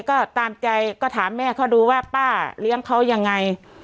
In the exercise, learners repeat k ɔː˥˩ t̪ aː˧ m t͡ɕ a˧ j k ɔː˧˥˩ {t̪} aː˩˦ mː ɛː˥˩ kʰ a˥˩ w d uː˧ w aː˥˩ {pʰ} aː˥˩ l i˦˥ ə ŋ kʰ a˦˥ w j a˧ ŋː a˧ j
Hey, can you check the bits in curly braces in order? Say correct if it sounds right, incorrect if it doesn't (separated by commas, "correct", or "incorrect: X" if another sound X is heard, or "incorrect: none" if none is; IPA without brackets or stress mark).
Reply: incorrect: t̪ʰ, incorrect: p